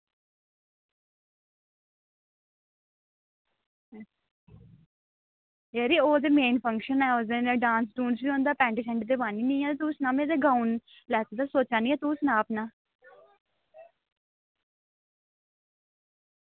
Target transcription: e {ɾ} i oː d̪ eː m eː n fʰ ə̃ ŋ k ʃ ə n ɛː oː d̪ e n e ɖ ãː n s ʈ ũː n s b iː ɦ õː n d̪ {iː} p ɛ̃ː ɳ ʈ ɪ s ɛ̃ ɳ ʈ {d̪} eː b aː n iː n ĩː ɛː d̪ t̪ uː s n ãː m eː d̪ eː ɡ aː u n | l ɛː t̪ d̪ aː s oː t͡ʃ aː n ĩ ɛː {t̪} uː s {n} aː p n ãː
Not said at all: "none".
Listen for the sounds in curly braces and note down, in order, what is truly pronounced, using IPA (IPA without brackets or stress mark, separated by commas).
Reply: ɾ, aː, d̪, t̪, n